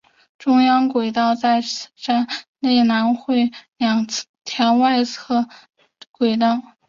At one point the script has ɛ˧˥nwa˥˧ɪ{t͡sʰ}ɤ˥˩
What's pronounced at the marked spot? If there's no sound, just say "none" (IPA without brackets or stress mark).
t͡sʰ